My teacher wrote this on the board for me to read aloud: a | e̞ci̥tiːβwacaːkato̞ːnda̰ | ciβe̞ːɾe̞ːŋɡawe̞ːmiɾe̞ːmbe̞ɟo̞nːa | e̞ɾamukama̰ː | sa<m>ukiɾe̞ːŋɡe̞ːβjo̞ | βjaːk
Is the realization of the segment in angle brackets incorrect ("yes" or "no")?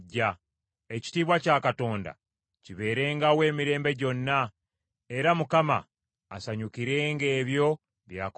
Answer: yes